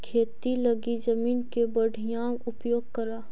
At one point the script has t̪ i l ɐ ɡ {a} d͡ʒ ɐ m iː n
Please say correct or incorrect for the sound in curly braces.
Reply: incorrect: i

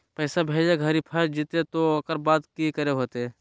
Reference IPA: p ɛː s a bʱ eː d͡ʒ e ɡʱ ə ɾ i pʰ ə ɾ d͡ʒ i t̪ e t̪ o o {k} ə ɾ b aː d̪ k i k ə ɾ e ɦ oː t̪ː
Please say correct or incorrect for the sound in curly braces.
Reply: correct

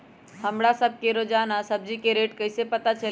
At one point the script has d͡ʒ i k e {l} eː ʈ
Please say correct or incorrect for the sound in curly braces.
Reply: incorrect: ɾ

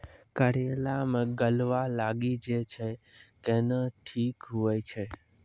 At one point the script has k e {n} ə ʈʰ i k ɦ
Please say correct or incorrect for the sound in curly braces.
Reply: correct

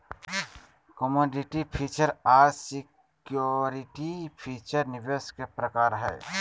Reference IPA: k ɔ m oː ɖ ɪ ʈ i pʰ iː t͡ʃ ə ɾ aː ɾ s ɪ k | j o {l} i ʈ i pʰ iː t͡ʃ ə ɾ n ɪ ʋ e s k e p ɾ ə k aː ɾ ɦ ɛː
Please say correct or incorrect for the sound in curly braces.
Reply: incorrect: ɾ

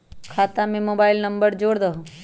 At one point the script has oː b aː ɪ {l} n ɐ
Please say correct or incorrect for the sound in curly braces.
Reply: correct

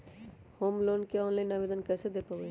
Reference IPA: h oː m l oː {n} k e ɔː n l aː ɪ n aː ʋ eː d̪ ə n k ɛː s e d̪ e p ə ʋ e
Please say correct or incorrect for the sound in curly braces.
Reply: correct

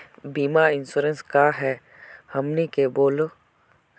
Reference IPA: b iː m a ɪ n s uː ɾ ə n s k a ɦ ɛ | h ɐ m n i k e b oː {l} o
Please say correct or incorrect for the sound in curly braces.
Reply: correct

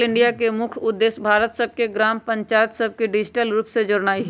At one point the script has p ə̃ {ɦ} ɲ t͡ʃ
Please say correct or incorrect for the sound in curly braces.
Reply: incorrect: none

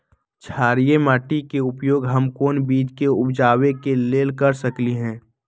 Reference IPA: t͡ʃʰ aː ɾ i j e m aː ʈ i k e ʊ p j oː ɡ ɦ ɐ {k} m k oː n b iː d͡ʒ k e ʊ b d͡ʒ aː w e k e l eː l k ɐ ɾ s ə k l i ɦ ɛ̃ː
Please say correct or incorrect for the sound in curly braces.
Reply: incorrect: none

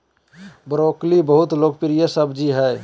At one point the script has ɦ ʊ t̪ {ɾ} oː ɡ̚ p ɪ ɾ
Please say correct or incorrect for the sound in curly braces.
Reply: incorrect: l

